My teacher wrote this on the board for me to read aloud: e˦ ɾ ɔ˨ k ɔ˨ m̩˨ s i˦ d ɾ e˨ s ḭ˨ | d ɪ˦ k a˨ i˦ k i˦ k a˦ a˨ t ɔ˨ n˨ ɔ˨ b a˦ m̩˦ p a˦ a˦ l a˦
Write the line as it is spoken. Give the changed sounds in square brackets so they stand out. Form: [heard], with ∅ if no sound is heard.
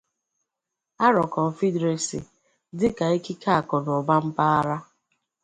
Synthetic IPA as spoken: [a˦] ɾ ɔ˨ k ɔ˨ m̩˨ [f] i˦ d ɾ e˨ s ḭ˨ | d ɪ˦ k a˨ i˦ k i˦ k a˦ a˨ [k] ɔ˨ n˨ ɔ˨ b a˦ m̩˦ p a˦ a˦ [ɾ] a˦